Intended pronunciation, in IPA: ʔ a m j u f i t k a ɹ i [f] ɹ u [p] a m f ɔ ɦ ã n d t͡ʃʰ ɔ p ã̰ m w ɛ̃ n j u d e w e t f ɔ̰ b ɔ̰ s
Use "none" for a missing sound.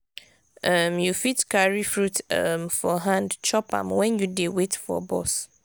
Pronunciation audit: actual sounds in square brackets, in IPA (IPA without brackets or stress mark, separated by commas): f, t